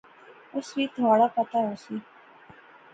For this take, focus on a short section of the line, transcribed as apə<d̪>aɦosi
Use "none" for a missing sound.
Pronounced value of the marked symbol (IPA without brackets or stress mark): t̪